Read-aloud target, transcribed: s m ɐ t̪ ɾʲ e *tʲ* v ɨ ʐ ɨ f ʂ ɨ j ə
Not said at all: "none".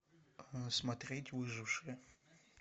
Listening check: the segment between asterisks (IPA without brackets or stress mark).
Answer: tʲ